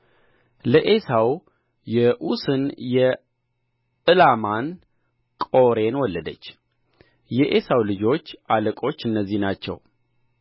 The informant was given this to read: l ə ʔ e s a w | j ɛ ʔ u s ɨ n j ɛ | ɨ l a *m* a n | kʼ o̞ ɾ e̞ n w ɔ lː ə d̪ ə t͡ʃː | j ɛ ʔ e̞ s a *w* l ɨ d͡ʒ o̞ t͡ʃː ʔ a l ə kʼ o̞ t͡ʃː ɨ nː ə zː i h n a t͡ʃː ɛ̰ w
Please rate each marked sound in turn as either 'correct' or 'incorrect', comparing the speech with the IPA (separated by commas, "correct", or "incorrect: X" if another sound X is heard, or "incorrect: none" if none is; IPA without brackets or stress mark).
correct, correct